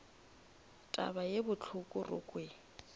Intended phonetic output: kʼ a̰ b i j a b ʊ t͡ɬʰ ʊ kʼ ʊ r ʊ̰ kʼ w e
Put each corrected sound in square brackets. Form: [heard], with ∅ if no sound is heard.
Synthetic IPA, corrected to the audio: [tʼ] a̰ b [a] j [e] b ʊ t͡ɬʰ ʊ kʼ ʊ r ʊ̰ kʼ w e